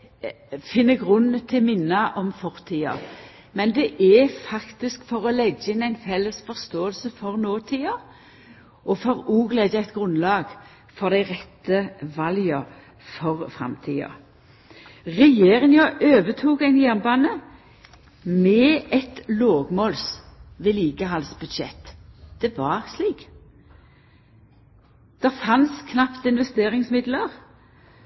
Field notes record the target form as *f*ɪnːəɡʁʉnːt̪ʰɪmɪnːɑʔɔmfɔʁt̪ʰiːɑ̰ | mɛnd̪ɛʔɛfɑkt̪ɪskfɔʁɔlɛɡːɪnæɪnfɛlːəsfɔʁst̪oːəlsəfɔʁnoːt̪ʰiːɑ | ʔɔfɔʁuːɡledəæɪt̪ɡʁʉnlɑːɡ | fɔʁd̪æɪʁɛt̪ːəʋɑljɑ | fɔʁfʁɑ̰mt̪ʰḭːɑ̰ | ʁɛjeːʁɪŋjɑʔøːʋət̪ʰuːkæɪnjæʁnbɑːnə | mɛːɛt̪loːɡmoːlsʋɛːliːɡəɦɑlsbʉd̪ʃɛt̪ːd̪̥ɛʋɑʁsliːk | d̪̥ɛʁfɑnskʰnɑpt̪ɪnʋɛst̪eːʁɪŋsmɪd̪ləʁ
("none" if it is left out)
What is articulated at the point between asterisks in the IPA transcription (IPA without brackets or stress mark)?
f